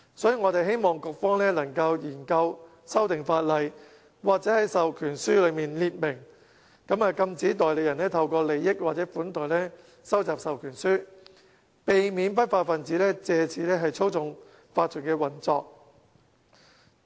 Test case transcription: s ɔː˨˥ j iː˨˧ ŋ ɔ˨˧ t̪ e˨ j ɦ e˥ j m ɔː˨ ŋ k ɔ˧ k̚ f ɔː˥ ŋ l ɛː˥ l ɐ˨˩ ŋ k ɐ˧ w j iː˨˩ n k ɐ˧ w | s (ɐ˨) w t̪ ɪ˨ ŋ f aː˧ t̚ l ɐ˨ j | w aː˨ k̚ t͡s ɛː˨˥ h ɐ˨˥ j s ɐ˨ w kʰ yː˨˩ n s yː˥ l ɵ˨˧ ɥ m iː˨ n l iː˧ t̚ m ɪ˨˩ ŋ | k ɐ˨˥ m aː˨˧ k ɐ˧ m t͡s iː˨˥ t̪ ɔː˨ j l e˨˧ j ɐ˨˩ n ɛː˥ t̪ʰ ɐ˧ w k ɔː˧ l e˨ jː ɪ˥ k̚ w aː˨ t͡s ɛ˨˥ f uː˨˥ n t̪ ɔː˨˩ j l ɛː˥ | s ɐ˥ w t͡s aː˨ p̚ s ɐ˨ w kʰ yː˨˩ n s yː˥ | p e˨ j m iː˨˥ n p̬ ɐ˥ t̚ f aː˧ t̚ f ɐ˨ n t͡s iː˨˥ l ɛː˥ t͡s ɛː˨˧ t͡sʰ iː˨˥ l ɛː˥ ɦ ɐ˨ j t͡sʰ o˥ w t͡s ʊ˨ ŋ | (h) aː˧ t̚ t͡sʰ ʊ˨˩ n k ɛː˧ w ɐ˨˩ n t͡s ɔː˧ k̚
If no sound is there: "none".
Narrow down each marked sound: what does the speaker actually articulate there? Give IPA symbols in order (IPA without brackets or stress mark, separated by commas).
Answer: ɐ˥, f